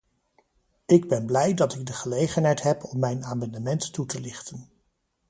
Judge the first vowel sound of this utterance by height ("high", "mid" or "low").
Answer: high